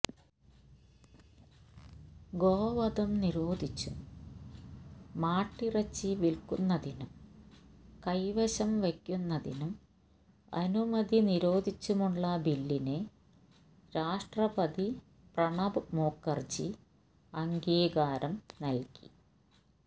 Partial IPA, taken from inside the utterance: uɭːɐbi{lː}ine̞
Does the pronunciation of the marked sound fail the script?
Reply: no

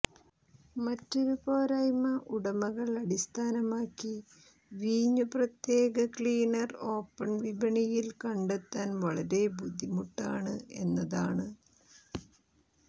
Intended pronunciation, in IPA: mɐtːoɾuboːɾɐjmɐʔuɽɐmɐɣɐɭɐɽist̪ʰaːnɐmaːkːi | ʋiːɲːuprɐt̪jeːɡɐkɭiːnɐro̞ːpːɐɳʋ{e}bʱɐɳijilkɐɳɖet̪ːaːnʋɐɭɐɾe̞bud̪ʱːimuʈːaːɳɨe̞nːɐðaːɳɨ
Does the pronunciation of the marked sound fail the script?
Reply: yes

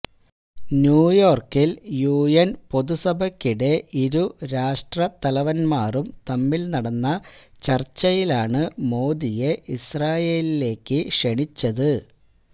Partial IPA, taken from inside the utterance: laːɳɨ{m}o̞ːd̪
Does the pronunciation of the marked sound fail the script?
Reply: no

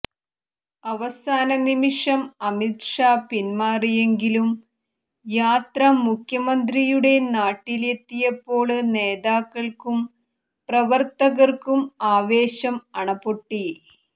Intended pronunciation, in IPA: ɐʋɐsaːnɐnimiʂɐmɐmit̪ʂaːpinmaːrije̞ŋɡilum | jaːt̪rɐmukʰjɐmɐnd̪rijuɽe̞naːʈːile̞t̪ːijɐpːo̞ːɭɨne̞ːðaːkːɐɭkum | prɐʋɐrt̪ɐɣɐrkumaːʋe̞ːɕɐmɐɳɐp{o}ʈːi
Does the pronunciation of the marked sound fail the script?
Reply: no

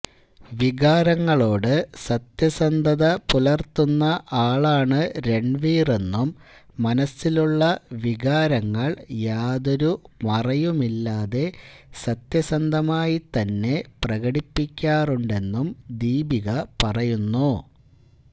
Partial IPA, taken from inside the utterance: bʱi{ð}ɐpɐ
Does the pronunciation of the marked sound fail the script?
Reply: yes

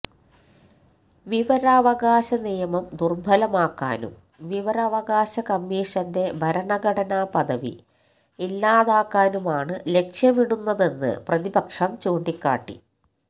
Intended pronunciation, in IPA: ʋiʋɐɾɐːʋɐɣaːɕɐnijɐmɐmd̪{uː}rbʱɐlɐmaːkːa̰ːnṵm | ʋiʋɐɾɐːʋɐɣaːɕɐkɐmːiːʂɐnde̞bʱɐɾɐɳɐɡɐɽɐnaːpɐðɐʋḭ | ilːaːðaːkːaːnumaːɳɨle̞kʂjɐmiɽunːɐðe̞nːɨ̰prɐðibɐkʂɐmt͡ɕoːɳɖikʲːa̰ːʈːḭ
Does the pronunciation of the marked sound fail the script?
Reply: yes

